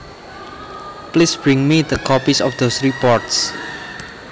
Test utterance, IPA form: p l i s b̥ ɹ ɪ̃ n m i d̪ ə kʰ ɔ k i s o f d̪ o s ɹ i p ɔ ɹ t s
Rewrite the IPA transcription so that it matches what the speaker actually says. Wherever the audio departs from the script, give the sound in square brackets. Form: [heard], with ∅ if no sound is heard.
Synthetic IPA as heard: p l i s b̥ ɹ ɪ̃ [ŋ] m i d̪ ə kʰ ɔ [p] i s [ɔ] f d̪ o s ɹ i p ɔ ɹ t s